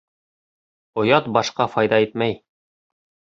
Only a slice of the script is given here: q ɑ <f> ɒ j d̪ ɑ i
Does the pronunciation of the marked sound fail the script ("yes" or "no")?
no